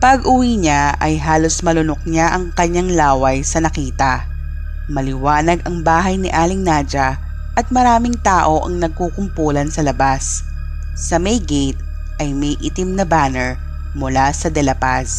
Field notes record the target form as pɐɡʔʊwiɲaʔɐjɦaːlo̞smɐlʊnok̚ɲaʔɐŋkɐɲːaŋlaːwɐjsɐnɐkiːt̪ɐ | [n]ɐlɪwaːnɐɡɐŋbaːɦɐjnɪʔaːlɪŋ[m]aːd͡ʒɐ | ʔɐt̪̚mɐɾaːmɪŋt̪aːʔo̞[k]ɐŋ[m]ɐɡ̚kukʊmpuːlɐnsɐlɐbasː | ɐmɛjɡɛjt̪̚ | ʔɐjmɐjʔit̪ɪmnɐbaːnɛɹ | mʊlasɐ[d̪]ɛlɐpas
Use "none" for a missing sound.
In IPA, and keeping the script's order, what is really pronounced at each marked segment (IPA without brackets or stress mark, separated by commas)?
m, n, ʔ, n, d̪